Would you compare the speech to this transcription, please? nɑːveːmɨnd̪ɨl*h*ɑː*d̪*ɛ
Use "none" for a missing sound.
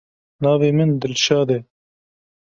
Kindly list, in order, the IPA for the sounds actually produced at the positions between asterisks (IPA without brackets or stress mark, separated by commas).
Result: ʃ, d̪